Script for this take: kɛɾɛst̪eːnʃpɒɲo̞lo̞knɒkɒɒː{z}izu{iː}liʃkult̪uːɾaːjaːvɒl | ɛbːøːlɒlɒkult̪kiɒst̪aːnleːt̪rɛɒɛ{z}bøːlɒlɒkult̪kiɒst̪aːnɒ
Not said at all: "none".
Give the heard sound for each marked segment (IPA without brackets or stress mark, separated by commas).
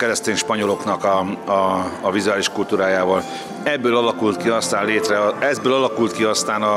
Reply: v, aː, z